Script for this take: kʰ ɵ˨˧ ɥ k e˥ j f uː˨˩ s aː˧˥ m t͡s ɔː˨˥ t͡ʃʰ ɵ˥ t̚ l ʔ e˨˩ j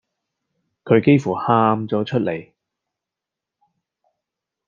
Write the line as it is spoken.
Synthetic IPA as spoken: kʰ ɵ˨˧ ɥ k e˥ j f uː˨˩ h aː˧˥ m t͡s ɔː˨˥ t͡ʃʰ ɵ˥ t̚ l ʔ e˨˩ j